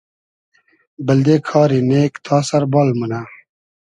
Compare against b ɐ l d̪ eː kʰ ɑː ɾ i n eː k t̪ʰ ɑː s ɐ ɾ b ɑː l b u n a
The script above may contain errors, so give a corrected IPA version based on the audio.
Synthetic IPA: b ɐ l d̪ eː kʰ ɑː ɾ i n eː k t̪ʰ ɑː s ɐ ɾ b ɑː l m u n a